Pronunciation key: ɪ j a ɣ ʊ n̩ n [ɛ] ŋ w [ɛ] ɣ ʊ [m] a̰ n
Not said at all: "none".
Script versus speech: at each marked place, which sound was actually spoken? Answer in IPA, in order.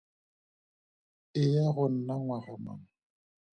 a, a, m

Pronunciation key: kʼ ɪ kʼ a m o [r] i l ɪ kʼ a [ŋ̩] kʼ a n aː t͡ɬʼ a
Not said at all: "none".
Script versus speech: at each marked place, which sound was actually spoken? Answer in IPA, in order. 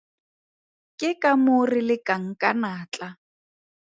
r, ŋ̩

